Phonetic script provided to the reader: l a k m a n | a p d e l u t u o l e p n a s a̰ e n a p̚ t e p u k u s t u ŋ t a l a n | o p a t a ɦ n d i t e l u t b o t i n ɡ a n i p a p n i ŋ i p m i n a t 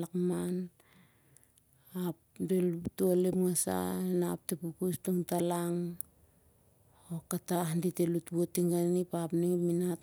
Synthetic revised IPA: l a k m a n | a p d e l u t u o l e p ŋ a s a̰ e n a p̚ t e p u k u s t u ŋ t a l a ŋ | o k a t a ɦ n d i t e l u t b o t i ŋ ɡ a n i p a p n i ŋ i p m i n a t

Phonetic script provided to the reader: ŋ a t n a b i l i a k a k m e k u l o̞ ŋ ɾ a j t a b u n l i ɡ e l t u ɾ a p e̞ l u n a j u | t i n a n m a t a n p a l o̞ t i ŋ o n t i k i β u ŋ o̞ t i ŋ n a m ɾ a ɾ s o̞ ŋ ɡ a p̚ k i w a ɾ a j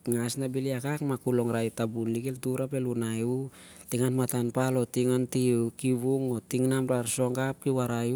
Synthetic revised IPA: ŋ a s n a b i l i a k a k m a k u l o̞ ŋ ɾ a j t a b u n l i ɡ e l t u ɾ a p e̞ l u n a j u | t i ŋ a n m a t a n p a l o̞ t i ŋ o n t i k i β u ŋ o̞ t i ŋ n a m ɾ a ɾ s o̞ ŋ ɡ a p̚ k i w a ɾ a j

